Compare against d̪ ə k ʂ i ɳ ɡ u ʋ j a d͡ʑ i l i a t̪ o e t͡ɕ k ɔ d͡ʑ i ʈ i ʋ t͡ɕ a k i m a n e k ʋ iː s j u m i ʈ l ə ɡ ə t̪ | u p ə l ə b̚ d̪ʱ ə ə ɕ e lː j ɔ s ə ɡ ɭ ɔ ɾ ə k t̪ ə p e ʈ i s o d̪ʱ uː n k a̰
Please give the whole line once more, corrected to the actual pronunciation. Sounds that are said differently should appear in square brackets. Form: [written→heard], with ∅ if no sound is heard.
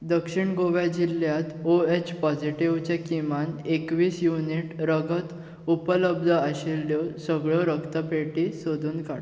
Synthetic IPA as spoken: d̪ ə k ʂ i ɳ ɡ [u→o] ʋ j a d͡ʑ i l [i→j] a t̪ o e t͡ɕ [k→p] ɔ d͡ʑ i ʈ i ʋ t͡ɕ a k i m a n e k ʋ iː s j u [m→n] i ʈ [l→ɾ] ə ɡ ə t̪ | u p ə l ə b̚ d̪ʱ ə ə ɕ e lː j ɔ s ə ɡ ɭ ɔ ɾ ə k t̪ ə p e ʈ i s o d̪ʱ uː n k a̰